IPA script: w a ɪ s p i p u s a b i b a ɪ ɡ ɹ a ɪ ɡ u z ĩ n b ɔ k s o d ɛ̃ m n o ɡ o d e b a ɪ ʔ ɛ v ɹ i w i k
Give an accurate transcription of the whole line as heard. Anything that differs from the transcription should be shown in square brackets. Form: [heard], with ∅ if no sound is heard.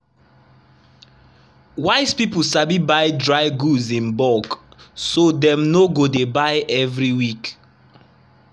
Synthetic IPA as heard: w a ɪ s p i p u s a b i b a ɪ [d] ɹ a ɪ ɡ u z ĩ n b ɔ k s o d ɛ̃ m n o ɡ o d e b a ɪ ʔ ɛ v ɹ i w i k